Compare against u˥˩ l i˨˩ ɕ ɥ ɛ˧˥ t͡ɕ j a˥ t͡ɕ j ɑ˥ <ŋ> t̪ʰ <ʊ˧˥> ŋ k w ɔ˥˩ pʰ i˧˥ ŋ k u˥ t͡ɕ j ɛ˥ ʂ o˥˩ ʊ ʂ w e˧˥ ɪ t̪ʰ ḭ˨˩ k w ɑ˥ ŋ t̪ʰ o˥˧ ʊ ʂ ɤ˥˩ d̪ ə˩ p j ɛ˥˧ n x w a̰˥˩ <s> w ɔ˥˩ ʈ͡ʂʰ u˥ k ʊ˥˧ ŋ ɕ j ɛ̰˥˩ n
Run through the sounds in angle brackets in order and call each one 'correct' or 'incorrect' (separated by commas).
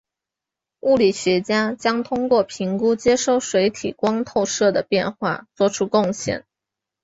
correct, incorrect, incorrect